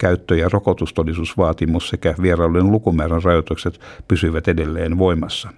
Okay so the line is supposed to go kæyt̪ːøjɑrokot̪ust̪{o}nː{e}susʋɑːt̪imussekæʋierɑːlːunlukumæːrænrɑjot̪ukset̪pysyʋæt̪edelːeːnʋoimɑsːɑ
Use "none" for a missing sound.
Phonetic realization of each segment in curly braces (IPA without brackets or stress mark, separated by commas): o, i